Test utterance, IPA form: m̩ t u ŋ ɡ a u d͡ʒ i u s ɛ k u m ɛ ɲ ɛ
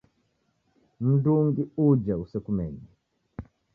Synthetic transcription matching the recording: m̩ d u ŋ ɡ i u d͡ʒ a u s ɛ k u m ɛ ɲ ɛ